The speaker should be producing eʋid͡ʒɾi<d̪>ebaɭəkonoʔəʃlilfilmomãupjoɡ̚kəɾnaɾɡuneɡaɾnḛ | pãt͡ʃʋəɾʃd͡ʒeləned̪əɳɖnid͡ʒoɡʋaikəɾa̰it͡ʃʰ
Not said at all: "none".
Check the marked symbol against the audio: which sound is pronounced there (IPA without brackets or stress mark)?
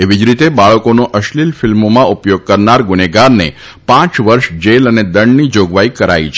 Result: t̪